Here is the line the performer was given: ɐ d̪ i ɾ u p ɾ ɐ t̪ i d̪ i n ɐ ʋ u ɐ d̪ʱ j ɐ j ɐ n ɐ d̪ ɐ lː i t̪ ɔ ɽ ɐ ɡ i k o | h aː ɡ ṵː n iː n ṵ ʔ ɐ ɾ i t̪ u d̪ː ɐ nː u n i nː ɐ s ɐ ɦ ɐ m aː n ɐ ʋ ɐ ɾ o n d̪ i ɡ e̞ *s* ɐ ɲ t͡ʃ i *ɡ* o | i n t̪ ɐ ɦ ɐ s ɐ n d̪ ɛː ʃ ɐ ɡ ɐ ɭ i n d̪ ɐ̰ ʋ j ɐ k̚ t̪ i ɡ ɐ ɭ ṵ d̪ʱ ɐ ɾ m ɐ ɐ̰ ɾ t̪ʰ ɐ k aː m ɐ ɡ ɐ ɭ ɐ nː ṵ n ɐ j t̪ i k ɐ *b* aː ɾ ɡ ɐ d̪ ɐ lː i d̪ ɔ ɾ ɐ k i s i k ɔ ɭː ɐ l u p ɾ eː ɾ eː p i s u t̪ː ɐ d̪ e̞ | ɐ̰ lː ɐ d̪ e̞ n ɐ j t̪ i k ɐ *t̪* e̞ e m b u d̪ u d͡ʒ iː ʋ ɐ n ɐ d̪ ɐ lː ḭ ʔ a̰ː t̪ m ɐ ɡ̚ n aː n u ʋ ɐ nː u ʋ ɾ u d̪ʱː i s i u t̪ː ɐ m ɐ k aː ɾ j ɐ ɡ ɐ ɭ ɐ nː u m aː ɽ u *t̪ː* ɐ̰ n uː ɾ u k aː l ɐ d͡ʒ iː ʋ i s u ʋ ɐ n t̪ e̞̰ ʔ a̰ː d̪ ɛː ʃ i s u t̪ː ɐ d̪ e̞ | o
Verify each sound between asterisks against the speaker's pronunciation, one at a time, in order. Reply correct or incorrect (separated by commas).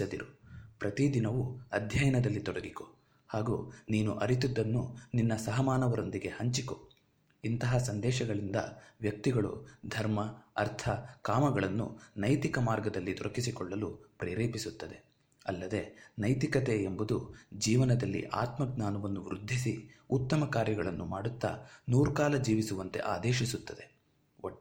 incorrect, incorrect, incorrect, correct, correct